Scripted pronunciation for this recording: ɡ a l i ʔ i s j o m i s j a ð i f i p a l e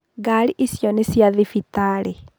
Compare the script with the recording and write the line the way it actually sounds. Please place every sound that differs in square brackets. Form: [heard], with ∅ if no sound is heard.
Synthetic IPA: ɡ a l i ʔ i s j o [n] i s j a ð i f i [t] a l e